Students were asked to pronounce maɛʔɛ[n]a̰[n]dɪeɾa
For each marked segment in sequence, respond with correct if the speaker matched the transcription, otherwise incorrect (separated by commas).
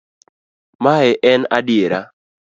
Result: correct, incorrect